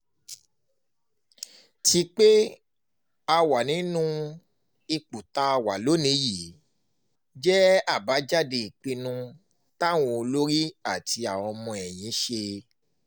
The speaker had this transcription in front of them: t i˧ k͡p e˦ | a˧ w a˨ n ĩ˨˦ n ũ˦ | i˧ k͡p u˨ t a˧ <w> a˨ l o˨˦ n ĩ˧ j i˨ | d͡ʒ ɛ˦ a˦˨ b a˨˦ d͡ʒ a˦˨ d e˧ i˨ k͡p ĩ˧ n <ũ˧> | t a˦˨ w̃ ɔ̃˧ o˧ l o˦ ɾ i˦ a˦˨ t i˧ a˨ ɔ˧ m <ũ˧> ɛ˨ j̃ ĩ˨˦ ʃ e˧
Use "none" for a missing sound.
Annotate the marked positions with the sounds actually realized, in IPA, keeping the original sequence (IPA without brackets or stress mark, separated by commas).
w, ũ˧, ɔ̃˧